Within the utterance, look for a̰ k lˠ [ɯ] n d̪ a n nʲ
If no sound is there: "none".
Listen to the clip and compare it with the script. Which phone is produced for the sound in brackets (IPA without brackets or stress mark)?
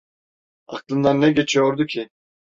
ɯ